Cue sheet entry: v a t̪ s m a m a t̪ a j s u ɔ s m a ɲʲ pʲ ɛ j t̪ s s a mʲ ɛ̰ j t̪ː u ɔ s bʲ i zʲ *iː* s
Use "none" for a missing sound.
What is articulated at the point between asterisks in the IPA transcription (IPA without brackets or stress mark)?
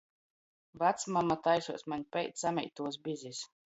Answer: i